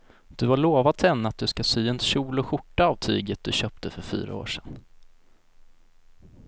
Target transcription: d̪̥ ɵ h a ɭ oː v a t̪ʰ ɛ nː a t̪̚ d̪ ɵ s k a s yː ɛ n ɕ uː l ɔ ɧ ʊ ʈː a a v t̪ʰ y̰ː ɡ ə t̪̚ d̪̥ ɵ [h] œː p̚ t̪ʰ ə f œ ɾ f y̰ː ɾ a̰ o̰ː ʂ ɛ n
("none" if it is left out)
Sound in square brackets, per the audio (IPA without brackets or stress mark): ɕ